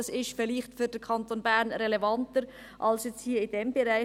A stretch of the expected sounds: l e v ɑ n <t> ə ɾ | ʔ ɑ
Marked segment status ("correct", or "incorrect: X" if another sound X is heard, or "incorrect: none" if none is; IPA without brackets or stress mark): correct